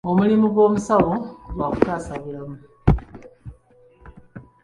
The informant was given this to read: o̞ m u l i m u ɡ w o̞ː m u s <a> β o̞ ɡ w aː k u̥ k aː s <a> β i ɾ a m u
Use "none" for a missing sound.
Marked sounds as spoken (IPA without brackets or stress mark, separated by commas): a, a